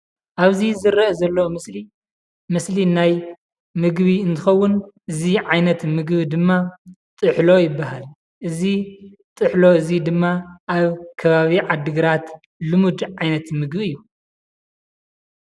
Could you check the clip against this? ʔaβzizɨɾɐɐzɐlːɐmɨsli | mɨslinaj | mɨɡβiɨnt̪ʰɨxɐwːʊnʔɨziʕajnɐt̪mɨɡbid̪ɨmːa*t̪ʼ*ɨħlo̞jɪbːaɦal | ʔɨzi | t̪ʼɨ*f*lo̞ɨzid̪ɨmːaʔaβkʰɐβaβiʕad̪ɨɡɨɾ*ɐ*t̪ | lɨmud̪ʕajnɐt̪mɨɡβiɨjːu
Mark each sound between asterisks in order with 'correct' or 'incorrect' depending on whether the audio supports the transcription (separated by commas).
correct, incorrect, incorrect